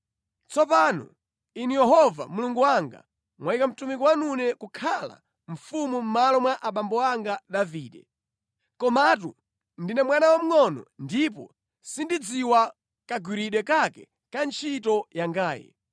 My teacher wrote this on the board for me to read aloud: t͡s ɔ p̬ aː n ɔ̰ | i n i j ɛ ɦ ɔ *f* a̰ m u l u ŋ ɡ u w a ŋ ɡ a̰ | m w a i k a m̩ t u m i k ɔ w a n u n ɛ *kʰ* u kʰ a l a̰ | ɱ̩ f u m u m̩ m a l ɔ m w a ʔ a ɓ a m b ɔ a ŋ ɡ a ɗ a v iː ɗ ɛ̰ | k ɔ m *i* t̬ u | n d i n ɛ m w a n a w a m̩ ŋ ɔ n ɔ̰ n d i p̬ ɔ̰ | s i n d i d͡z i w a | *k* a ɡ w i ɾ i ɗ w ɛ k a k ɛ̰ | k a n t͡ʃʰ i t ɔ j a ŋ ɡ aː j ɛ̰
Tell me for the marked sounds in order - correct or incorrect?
incorrect: v, incorrect: k, incorrect: a, correct

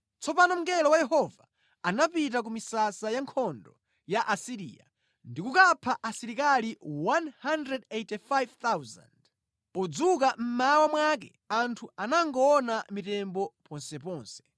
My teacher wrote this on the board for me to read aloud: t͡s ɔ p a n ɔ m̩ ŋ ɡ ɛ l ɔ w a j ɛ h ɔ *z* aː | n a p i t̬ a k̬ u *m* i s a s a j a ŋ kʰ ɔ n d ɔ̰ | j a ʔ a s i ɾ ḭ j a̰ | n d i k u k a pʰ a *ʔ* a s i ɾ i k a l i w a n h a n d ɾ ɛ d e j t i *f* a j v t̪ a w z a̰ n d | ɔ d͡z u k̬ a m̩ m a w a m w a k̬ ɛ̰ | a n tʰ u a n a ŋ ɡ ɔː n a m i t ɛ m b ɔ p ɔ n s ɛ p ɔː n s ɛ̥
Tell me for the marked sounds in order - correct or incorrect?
incorrect: v, correct, correct, correct

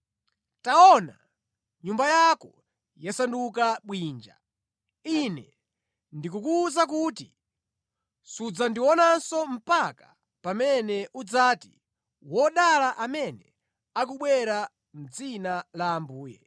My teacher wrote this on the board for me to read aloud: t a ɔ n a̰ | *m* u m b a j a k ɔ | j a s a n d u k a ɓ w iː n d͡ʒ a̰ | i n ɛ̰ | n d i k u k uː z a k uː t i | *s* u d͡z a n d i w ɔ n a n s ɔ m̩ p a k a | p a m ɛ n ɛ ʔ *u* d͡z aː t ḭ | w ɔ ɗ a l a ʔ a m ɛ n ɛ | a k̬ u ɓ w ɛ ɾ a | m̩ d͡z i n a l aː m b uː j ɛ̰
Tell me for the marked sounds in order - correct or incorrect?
incorrect: ɲ, correct, correct

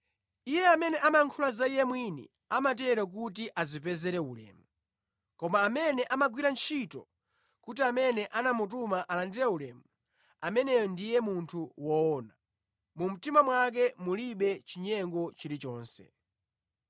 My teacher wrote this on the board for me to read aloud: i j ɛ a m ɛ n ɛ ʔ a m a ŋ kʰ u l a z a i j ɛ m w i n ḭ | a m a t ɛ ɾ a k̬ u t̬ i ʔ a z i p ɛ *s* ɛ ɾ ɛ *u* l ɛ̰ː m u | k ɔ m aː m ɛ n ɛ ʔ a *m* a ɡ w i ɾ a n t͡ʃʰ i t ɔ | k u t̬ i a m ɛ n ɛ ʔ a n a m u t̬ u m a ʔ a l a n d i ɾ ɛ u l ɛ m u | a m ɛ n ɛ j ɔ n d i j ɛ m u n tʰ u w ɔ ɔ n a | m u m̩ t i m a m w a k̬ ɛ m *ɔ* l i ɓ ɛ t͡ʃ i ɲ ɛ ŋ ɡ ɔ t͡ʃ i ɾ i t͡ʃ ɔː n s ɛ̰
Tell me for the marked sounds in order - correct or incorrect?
incorrect: z, correct, correct, incorrect: u

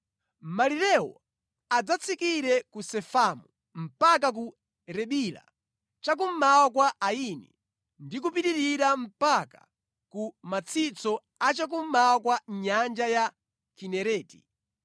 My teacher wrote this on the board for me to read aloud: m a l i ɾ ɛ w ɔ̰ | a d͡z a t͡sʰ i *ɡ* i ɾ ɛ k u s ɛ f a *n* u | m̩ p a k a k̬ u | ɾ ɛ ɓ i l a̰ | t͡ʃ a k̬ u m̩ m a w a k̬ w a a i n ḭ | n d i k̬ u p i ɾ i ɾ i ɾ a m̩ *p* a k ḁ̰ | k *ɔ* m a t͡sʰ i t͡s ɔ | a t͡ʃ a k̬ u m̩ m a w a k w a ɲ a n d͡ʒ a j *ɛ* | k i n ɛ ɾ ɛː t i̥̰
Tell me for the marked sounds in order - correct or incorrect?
incorrect: k, incorrect: m, correct, incorrect: u, incorrect: a

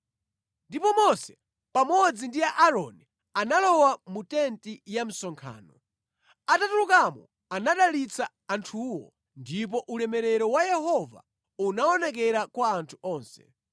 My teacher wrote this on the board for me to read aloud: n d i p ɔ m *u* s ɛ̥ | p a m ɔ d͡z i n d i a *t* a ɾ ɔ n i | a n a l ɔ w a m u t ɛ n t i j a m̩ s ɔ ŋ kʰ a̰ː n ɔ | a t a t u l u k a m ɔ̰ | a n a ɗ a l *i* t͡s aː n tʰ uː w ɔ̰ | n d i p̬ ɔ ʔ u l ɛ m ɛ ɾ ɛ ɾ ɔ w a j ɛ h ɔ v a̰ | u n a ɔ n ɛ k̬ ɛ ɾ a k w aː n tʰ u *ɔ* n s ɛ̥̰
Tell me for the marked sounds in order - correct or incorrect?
incorrect: ɔ, incorrect: ʔ, correct, incorrect: ɔː

